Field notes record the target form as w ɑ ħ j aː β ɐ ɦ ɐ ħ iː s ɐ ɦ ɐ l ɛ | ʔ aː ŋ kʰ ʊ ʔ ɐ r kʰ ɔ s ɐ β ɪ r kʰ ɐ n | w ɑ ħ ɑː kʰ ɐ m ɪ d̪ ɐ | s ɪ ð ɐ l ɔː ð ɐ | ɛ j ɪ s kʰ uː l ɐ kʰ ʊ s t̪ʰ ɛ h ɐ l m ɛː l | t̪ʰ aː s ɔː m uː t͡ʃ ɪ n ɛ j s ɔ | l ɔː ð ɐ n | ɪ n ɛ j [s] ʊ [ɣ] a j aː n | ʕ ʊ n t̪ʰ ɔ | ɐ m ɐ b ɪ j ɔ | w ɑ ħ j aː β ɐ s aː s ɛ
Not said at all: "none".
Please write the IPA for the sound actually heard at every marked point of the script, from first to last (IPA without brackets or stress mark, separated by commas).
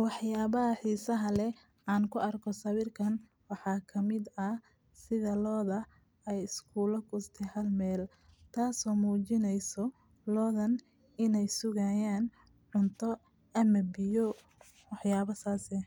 s, ɣ